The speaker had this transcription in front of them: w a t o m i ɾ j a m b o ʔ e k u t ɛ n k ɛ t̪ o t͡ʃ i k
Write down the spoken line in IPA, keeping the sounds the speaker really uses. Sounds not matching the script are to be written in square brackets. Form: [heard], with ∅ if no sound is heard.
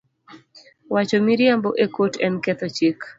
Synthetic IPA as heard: w a [t͡ʃ] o m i ɾ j a m b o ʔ e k [o] t ɛ n k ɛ t̪ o t͡ʃ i k